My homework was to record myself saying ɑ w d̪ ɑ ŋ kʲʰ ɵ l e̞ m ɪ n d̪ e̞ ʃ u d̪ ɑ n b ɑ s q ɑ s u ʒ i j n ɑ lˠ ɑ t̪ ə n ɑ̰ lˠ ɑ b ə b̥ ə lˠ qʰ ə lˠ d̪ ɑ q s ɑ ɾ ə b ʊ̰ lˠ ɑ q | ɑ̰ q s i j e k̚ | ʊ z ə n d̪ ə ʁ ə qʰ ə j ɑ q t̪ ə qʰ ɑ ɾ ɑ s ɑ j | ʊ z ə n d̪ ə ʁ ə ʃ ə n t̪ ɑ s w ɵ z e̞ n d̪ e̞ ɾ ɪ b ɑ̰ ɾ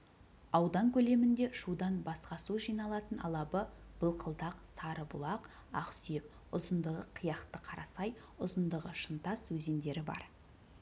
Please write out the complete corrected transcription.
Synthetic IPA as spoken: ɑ w d̪ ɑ ŋ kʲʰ ɵ l e̞ m ɪ n d̪ e̞ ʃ u d̪ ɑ n b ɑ s q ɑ s u ʒ i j n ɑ lˠ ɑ t̪ ə n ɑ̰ lˠ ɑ b ə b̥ ə lˠ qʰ ə lˠ d̪ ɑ q s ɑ ɾ ə b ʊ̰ lˠ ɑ q | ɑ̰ q s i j e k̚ | ʊ z ə n d̪ ə ʁ ə qʰ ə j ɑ q t̪ ə qʰ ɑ ɾ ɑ s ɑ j | ʊ z ə n d̪ ə ʁ ə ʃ ə n t̪ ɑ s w ɵ z e̞ n d̪ e̞ ɾ ɪ b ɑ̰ ɾ